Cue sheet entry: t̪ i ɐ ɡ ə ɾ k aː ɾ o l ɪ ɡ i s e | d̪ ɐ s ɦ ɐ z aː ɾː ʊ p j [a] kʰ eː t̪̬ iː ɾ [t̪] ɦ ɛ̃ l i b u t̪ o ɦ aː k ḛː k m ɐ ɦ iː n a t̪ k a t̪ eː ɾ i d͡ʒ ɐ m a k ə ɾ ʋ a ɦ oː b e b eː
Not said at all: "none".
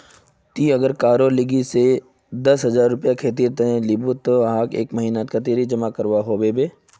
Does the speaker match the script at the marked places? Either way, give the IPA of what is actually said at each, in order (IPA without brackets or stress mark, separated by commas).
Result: a, t̪